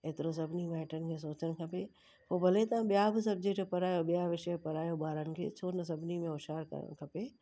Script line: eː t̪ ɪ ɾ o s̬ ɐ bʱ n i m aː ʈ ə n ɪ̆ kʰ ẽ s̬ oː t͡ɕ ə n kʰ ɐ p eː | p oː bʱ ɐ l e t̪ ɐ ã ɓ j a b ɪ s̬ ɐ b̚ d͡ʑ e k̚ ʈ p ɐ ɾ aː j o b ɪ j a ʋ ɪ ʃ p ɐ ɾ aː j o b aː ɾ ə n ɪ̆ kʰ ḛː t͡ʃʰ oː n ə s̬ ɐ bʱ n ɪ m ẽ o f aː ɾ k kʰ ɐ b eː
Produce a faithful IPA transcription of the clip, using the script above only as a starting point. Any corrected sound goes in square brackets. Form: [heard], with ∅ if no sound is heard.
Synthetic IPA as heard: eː t̪ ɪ ɾ o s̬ ɐ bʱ n i m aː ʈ ə n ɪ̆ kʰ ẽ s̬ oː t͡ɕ ə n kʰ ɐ p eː | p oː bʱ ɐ l e t̪ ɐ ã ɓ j a b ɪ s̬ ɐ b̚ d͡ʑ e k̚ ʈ p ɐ ɾ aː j o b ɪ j a ʋ ɪ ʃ p ɐ ɾ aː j o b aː ɾ ə n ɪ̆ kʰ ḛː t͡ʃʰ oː n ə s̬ ɐ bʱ n [i] m ẽ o [ʃ] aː ɾ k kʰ ɐ [p] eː

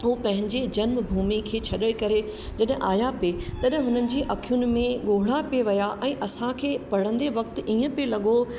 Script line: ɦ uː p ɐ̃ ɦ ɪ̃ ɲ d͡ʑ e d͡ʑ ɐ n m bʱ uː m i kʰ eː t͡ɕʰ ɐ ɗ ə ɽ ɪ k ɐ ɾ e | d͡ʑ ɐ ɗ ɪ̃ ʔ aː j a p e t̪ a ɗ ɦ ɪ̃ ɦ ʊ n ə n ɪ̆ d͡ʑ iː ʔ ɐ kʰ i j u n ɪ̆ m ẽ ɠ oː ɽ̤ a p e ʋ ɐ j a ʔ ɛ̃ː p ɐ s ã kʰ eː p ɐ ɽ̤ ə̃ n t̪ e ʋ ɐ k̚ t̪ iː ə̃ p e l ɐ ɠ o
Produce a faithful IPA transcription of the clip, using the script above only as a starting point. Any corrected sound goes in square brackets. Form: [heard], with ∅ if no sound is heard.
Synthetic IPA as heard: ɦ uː p ɐ̃ ɦ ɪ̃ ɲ d͡ʑ e d͡ʑ ɐ n m bʱ uː m i kʰ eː t͡ɕʰ ɐ ɗ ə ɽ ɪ k ɐ ɾ e | d͡ʑ ɐ ɗ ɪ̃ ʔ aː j a p e t̪ [ɐ] ɗ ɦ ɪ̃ ɦ ʊ n ə n ɪ̆ d͡ʑ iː ʔ ɐ kʰ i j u n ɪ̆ m ẽ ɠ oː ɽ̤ a p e ʋ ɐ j a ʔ ɛ̃ː [ʔ] ɐ s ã kʰ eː p ɐ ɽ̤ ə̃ n [d̪] e ʋ ɐ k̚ t̪ iː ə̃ p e l ɐ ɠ o

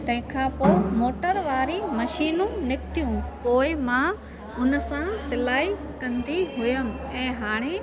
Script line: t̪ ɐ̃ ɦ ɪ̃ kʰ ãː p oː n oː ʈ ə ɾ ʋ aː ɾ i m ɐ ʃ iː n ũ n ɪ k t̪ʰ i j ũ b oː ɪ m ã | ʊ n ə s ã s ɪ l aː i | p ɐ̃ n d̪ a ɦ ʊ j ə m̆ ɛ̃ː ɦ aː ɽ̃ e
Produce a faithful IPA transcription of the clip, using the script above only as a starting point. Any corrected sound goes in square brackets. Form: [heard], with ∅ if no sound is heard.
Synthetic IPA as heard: t̪ ɐ̃ ɦ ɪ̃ kʰ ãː p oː [m] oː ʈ ə ɾ ʋ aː ɾ i m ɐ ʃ iː n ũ n ɪ k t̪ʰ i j ũ [p] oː ɪ m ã | ʊ n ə s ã s ɪ l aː i | [k] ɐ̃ n d̪ [i] ɦ ʊ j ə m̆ ɛ̃ː ɦ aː ɽ̃ e

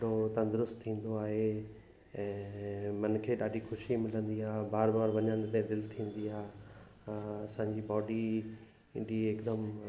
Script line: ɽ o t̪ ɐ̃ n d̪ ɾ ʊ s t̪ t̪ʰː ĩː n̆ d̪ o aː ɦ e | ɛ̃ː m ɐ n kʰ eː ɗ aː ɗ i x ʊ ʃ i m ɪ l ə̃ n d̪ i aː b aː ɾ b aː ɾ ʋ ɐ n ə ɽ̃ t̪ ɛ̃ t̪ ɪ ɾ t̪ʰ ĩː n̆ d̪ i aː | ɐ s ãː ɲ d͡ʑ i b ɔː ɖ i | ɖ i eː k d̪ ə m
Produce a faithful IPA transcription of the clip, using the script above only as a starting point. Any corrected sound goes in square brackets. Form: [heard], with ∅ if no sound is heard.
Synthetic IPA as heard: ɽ o t̪ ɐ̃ n d̪ ɾ ʊ s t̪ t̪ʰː ĩː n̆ d̪ o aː ɦ e | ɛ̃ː m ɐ n kʰ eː ɗ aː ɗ i x ʊ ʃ i m ɪ l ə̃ n d̪ i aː b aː ɾ b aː ɾ ʋ ɐ [ɲ] ə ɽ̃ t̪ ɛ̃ [d̪] ɪ [l] t̪ʰ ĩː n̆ d̪ i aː | ɐ s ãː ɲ d͡ʑ i b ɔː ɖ i | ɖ i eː k d̪ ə m

